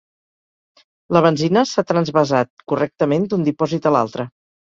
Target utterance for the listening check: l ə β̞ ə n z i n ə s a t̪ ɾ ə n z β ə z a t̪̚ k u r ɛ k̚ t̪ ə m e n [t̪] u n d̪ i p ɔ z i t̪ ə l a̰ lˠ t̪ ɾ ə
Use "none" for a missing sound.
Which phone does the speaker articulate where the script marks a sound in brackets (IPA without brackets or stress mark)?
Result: d̪